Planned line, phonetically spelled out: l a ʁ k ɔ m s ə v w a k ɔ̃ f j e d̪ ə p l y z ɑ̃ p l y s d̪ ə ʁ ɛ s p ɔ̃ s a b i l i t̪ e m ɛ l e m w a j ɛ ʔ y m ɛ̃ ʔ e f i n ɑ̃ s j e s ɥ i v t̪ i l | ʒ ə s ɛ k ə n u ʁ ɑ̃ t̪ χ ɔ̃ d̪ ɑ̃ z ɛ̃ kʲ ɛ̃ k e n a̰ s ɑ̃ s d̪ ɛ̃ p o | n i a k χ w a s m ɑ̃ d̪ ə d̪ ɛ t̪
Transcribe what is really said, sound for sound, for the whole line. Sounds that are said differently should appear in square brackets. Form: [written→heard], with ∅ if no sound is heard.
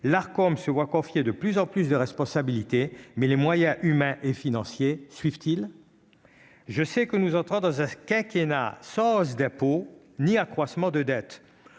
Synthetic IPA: l a ʁ k ɔ m s ə v w a k ɔ̃ f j e d̪ ə p l y z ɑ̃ p l y s d̪ ə ʁ ɛ s p ɔ̃ s a b i l i t̪ e m ɛ l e m w a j [ɛ→ɛ̃] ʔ y m ɛ̃ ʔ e f i n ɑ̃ s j e s ɥ i v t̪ i l | ʒ ə s ɛ k ə n u [ʁ→z] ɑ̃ t̪ χ ɔ̃ d̪ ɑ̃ z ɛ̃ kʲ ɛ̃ k e n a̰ s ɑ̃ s d̪ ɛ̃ p o | n i a k χ w a s m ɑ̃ d̪ ə d̪ ɛ t̪